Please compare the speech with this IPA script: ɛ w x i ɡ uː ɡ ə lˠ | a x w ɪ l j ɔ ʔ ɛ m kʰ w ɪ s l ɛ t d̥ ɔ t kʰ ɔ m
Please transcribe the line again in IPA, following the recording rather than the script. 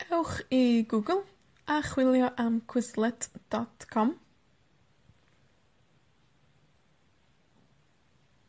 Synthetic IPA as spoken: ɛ w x i ɡ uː ɡ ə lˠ | a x w ɪ l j ɔ ʔ a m kʰ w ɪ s l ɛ t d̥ ɔ t kʰ ɔ m

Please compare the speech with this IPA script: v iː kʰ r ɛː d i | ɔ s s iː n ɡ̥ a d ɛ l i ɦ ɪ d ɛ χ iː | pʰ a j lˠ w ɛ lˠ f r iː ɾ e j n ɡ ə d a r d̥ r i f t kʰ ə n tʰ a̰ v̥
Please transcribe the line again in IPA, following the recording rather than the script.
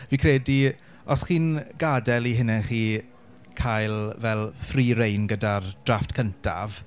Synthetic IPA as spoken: v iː kʰ r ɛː d i | ɔ s χ iː n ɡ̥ a d ɛ l i ɦ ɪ n ɛ χ iː | kʰ a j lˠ v ɛ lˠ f r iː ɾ e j n ɡ ə d a r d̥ r a f t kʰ ə n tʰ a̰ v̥

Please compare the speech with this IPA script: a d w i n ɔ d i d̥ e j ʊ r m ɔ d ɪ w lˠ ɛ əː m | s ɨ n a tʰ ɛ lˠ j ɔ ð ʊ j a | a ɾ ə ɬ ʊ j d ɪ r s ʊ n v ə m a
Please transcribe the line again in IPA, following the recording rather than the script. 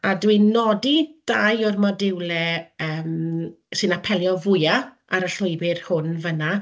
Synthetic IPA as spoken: a d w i n ɔ d i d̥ a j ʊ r m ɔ d ɪ w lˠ ɛ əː m | s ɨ n a pʰ ɛ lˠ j ɔ v ʊ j a | a ɾ ə ɬ ʊ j b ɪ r h ʊ n v ə n a

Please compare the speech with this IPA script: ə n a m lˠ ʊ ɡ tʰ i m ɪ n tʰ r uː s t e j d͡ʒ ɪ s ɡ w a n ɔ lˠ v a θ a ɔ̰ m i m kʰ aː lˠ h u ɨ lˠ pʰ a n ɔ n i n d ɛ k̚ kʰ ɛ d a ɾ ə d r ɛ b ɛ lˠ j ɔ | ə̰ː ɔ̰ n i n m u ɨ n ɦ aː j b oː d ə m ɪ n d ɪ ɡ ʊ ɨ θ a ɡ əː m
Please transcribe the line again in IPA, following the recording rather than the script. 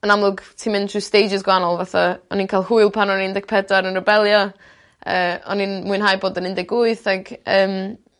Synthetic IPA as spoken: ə n a m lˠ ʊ ɡ tʰ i m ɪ n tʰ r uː s t e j d͡ʒ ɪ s ɡ w a n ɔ lˠ v a θ a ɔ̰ n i n kʰ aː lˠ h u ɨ lˠ pʰ a n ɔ n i n d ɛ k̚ pʰ ɛ d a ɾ ə n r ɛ b ɛ lˠ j ɔ | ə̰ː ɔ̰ n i n m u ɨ n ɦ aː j b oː d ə n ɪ n d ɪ ɡ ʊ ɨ θ a ɡ əː m

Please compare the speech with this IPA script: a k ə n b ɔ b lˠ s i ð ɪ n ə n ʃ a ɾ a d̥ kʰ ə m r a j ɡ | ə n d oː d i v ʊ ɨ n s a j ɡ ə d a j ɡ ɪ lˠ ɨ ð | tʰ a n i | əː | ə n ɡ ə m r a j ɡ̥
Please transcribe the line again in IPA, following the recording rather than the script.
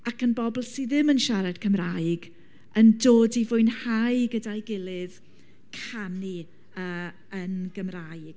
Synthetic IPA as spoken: a k ə n b ɔ b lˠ s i ð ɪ m ə n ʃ a ɾ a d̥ kʰ ə m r a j ɡ | ə n d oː d i v ʊ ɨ n h a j ɡ ə d a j ɡ ɪ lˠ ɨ ð | kʰ a n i | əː | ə n ɡ ə m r a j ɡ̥

